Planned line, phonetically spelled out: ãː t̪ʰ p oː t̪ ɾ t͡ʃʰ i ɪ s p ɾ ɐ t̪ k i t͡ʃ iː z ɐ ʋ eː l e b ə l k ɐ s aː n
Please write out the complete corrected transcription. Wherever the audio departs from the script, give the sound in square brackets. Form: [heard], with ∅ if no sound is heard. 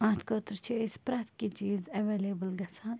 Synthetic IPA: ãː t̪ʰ [k] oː t̪ ɾ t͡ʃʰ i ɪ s p ɾ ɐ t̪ k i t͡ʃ iː z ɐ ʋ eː l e b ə l [ɡ] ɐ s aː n